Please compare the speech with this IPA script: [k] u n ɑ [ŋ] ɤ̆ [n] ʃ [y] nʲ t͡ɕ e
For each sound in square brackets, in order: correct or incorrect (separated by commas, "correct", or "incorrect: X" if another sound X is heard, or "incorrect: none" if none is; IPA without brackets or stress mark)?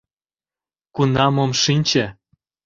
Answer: correct, incorrect: m, incorrect: m, incorrect: i